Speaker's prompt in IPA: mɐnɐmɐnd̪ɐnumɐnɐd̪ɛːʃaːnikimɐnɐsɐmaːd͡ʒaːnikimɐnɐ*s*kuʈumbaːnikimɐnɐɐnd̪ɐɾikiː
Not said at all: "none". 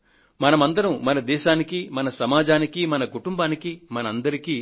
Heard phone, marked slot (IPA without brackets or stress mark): none